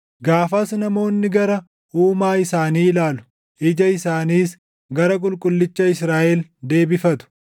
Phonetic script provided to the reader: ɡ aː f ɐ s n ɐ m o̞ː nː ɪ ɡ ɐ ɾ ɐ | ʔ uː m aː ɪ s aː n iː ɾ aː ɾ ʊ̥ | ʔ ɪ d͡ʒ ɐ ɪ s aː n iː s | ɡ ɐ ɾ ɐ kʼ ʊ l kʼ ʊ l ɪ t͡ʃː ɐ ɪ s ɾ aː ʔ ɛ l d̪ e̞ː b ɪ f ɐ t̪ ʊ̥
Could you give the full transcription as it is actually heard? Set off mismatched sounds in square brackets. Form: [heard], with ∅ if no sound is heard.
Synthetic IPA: ɡ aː f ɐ s n ɐ m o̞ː nː ɪ ɡ ɐ ɾ ɐ | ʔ uː m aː ɪ s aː n iː [l] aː [l] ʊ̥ | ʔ ɪ d͡ʒ ɐ ɪ s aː n iː s | ɡ ɐ ɾ ɐ kʼ ʊ l kʼ ʊ [lː] ɪ t͡ʃː ɐ ɪ s ɾ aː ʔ ɛ l d̪ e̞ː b ɪ f ɐ t̪ ʊ̥

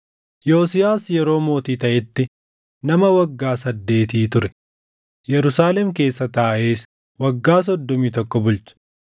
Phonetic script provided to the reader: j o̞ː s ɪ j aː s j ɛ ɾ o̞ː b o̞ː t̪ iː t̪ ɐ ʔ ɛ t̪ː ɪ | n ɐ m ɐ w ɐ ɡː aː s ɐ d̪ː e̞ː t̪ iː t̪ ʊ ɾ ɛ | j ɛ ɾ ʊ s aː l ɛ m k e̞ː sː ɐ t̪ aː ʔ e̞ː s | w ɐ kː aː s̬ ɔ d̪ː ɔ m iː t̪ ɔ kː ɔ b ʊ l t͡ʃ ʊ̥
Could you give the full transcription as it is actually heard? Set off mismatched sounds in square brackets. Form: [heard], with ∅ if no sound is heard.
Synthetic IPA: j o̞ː s ɪ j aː s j ɛ ɾ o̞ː [m] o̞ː t̪ iː t̪ ɐ ʔ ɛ t̪ː ɪ | n ɐ m ɐ w ɐ ɡː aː s ɐ d̪ː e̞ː t̪ iː t̪ ʊ ɾ ɛ | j ɛ ɾ ʊ s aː l ɛ m k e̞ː sː ɐ t̪ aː ʔ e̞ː s | w ɐ [ɡː] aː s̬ ɔ d̪ː ɔ m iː t̪ ɔ kː ɔ b ʊ l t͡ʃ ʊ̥

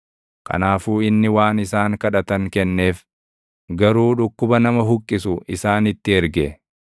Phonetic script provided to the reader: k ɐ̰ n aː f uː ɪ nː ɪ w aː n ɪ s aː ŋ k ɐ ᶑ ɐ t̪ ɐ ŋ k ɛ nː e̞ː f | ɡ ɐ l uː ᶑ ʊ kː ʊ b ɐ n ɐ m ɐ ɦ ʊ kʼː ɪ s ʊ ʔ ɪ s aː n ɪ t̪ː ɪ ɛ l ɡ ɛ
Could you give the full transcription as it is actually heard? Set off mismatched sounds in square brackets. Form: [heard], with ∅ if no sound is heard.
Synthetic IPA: k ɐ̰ n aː f uː ɪ nː ɪ w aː n ɪ s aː ŋ k ɐ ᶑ ɐ t̪ ɐ ŋ k ɛ nː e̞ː f | ɡ ɐ [ɾ] uː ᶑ ʊ kː ʊ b ɐ n ɐ m ɐ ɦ ʊ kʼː ɪ s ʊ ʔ ɪ s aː n ɪ t̪ː ɪ ɛ [ɾ] ɡ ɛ

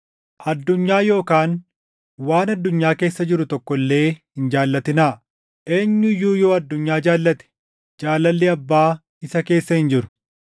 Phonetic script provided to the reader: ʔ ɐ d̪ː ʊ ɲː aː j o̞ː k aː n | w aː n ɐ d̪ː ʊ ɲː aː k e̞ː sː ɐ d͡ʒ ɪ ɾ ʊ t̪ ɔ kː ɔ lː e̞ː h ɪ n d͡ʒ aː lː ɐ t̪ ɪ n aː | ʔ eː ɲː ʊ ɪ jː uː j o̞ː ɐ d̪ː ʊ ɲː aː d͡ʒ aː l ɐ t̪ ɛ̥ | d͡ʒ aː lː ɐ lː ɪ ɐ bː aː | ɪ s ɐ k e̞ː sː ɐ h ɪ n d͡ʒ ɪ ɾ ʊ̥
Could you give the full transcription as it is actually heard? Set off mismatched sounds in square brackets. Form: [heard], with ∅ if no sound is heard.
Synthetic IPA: ʔ ɐ d̪ː ʊ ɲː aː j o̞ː k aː n | w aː n ɐ d̪ː ʊ ɲː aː k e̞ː sː ɐ d͡ʒ ɪ ɾ ʊ t̪ ɔ kː ɔ lː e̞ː h ɪ n d͡ʒ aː lː ɐ t̪ ɪ n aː | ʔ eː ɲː ʊ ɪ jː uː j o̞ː ɐ d̪ː ʊ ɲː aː d͡ʒ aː [lː] ɐ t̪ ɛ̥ | d͡ʒ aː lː ɐ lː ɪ ɐ bː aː | ɪ s ɐ k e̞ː sː ɐ h ɪ n d͡ʒ ɪ ɾ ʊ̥

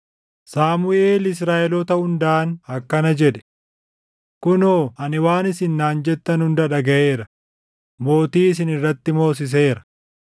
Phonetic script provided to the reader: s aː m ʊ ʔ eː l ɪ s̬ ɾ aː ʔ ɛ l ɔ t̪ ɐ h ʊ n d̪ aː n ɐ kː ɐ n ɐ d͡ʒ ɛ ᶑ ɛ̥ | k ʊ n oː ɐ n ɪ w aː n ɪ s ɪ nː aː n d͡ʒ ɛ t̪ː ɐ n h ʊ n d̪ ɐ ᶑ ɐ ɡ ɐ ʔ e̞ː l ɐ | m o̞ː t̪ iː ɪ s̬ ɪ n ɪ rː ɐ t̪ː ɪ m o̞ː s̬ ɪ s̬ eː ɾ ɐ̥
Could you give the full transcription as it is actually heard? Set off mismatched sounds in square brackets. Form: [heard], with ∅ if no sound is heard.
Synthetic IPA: s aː m ʊ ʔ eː l ɪ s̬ ɾ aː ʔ ɛ l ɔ t̪ ɐ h ʊ n d̪ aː n ɐ kː ɐ n ɐ d͡ʒ ɛ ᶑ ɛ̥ | k ʊ n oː ɐ n ɪ w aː n ɪ s ɪ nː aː n d͡ʒ ɛ t̪ː ɐ n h ʊ n d̪ ɐ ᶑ ɐ ɡ ɐ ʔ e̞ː [ɾ] ɐ | m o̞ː t̪ iː ɪ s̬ ɪ n ɪ rː ɐ t̪ː ɪ m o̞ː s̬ ɪ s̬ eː ɾ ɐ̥

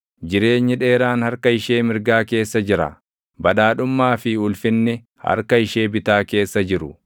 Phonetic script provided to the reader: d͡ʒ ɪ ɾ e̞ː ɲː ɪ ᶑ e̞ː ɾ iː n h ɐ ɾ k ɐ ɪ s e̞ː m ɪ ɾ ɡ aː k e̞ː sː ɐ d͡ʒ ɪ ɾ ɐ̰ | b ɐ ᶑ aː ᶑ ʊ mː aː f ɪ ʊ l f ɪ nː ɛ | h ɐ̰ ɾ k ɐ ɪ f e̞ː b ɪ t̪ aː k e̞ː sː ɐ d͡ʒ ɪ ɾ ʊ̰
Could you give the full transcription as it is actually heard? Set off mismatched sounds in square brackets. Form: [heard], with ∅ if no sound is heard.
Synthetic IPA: d͡ʒ ɪ ɾ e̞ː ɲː ɪ ᶑ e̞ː ɾ [aː] n h ɐ ɾ k ɐ ɪ [ʃ] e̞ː m ɪ ɾ ɡ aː k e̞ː sː ɐ d͡ʒ ɪ ɾ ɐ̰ | b ɐ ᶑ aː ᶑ ʊ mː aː f ɪ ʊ l f ɪ nː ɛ | h ɐ̰ ɾ k ɐ ɪ [ʃ] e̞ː b ɪ t̪ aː k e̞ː sː ɐ d͡ʒ ɪ ɾ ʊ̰

